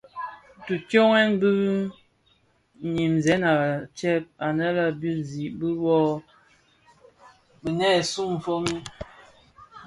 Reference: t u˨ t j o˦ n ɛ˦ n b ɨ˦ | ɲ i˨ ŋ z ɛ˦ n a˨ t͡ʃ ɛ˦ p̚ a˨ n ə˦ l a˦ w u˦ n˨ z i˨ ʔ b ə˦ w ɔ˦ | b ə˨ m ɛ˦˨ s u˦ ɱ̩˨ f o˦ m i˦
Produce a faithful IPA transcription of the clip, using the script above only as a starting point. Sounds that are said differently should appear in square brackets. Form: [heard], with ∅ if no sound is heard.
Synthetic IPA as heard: t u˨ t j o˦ [ŋ] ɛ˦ n b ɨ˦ | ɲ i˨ [m] z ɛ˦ n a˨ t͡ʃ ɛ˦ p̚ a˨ n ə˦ l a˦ [b] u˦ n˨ z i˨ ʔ b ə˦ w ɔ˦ | b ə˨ [n] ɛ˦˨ s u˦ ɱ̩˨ f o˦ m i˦